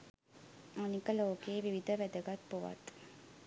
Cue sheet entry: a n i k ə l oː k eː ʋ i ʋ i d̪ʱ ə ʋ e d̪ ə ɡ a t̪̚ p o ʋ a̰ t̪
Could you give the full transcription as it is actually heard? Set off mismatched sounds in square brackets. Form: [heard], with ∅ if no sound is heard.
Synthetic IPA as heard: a n i k ə l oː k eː ʋ i ʋ i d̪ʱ ə ʋ [æ] d̪ ə ɡ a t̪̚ p o ʋ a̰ t̪